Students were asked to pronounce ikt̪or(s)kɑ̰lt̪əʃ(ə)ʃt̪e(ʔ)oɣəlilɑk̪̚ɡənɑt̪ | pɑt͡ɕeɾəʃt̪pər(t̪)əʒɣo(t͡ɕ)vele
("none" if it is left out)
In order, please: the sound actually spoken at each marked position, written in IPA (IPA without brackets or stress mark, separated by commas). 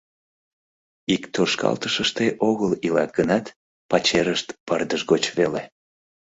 ʃ, ə, ʔ, d̪, t͡ɕ